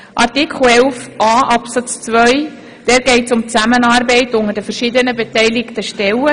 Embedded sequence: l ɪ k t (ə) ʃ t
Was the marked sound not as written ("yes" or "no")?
no